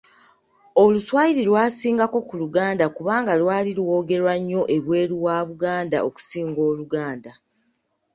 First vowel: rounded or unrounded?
rounded